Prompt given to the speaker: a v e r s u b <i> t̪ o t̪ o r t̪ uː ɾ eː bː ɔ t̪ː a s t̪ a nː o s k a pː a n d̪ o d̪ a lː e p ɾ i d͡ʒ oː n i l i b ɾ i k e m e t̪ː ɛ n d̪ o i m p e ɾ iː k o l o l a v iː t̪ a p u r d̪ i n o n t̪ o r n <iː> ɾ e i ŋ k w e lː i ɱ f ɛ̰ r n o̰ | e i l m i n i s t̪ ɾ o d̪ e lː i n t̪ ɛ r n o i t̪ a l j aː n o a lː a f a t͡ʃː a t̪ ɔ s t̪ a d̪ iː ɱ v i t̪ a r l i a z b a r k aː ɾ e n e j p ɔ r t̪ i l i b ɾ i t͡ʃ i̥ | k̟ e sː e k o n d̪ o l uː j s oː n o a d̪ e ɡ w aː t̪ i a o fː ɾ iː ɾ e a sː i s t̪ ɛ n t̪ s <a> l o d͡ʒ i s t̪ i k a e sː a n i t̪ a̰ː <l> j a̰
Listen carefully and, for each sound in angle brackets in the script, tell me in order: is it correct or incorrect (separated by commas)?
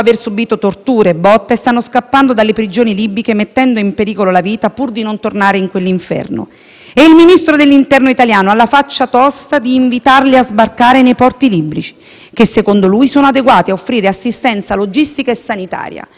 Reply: incorrect, incorrect, correct, incorrect